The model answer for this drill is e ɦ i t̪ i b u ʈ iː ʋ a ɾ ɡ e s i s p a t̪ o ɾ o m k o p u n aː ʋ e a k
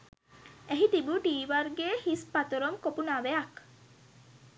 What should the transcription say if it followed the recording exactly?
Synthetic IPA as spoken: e ɦ i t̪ i b u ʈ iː ʋ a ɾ ɡ e h i s p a t̪ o ɾ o m k o p u n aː ʋ e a k